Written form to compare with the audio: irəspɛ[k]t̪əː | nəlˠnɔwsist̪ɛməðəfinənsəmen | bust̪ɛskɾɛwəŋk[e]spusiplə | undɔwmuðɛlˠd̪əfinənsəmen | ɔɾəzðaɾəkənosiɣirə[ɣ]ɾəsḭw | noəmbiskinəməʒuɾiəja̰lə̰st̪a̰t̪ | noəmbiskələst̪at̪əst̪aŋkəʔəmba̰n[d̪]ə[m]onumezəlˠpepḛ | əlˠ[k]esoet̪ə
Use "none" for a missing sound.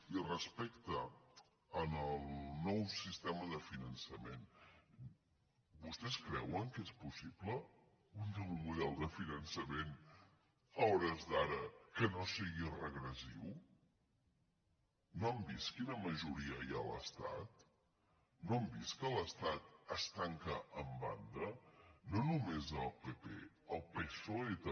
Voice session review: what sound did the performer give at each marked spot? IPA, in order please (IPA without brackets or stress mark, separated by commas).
k, e, ɣ, d̪, n, p